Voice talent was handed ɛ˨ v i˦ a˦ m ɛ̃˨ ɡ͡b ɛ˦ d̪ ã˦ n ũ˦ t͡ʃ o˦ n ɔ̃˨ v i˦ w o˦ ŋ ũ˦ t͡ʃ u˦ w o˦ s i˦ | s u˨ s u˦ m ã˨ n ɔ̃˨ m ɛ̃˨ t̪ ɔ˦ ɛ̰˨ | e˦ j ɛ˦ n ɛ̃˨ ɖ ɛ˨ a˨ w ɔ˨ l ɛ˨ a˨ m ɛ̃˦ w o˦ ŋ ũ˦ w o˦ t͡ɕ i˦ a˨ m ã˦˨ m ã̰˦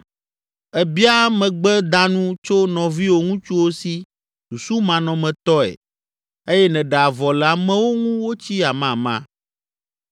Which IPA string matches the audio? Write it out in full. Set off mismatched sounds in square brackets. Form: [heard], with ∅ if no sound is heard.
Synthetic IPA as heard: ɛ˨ [b] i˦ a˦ m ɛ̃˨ ɡ͡b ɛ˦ d̪ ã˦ n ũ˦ t͡ʃ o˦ n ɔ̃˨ v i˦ w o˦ ŋ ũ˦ t͡ʃ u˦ w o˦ s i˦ | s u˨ s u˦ m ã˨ n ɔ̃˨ m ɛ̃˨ t̪ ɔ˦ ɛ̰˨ | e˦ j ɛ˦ n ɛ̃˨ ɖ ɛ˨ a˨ [v] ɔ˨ l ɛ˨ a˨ m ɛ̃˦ w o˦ ŋ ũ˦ w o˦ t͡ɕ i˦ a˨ m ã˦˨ m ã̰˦